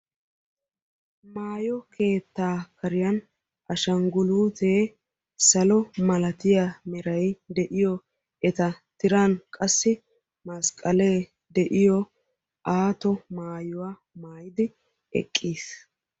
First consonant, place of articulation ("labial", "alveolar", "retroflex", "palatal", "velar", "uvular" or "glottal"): labial